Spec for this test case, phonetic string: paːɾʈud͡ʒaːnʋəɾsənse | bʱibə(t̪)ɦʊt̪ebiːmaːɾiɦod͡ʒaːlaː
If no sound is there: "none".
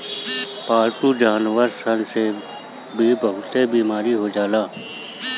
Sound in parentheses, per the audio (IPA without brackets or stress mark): none